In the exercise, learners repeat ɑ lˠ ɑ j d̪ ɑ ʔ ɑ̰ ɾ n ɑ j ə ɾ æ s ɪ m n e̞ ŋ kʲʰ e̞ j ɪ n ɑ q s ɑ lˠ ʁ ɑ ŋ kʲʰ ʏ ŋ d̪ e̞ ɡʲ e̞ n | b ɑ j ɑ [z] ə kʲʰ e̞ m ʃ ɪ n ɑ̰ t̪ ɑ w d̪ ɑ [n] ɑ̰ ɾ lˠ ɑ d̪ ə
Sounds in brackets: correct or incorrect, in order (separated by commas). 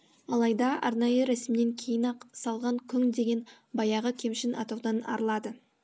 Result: incorrect, correct